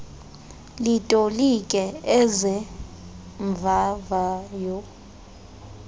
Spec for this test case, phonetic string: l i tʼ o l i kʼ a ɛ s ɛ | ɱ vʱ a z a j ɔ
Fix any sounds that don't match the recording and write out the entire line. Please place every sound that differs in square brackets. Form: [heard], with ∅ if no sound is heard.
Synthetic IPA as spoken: l i tʼ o l i kʼ [ɛ] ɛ [z] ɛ | ɱ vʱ a [v] a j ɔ